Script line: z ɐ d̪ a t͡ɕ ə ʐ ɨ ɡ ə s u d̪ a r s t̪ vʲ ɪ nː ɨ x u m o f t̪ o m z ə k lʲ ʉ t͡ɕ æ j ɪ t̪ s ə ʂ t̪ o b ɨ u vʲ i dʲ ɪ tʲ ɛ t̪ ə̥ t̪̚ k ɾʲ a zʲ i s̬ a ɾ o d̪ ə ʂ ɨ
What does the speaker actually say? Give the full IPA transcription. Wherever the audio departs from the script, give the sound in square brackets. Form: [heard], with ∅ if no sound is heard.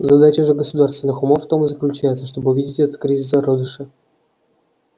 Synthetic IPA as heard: z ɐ d̪ a t͡ɕ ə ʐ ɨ ɡ ə s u d̪ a r s t̪ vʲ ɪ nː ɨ x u m o f t̪ o m z ə k lʲ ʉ t͡ɕ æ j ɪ t̪ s ə ʂ t̪ o b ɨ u vʲ i dʲ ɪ tʲ ɛ t̪ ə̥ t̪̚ k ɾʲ [i] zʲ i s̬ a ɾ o d̪ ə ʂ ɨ